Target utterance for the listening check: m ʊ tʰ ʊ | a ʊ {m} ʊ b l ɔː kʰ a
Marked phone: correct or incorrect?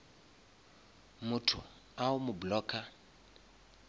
correct